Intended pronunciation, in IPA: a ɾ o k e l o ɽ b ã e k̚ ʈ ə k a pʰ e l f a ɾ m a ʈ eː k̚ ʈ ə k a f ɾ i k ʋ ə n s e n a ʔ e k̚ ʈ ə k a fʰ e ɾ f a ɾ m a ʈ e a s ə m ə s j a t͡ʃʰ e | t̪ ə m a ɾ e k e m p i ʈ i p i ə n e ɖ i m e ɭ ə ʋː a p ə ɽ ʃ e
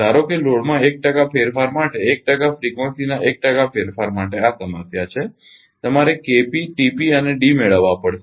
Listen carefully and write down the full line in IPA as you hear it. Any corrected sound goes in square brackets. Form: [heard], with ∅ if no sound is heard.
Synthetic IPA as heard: a ɾ o k e l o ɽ [m] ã e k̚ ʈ ə k a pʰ e [ɾ] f a ɾ m a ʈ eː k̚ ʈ ə k a f ɾ i k ʋ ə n s [i] n a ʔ e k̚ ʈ ə k a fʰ e ɾ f a ɾ m a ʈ e a s ə m ə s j a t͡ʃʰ e | t̪ ə m a ɾ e k e [∅] p i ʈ i p i ə n e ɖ i m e ɭ ə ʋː a p ə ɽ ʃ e